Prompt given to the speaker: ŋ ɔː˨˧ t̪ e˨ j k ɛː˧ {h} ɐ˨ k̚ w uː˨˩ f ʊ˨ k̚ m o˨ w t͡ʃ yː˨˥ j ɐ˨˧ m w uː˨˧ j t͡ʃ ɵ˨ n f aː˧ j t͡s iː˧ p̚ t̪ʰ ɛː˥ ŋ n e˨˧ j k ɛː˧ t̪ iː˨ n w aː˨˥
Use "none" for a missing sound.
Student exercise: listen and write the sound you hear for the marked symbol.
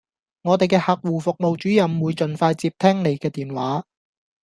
h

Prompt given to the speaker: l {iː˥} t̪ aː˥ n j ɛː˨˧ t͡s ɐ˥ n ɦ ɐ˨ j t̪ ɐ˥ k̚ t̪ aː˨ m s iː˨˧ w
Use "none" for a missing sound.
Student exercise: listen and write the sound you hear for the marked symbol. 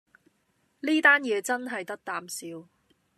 iː˥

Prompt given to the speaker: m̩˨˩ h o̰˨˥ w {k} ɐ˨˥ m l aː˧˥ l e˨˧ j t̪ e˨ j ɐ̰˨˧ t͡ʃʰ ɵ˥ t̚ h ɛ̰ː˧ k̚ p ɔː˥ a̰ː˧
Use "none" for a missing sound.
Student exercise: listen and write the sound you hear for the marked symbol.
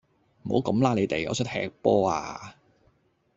k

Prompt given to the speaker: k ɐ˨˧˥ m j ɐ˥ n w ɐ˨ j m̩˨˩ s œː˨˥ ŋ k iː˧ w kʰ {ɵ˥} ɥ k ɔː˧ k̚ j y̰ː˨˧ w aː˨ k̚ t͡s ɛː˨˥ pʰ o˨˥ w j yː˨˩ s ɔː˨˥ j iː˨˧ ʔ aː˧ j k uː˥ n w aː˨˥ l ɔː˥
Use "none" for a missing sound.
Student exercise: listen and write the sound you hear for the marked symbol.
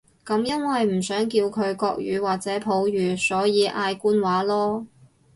ɵ˨˧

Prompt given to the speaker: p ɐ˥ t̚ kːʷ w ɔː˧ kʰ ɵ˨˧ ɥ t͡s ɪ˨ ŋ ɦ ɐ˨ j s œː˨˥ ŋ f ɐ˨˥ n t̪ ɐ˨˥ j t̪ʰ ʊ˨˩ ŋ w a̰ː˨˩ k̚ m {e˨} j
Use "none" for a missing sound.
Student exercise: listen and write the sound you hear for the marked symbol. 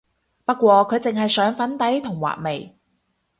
e˨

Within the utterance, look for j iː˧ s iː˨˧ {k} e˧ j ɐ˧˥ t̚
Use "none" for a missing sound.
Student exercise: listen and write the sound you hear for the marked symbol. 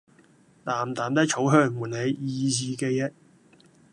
k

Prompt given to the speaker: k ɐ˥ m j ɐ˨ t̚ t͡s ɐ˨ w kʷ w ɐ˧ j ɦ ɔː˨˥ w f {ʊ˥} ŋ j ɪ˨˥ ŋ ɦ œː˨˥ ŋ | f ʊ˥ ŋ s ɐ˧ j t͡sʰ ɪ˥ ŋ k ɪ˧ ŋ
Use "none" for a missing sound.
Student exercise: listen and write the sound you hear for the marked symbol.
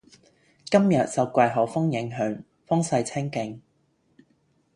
ʊ˥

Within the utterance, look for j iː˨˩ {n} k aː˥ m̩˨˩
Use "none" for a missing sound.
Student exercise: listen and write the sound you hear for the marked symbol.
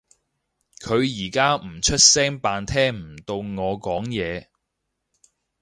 none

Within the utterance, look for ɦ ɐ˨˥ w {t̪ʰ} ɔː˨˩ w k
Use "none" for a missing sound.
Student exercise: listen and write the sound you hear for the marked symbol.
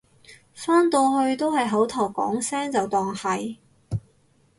t̪ʰ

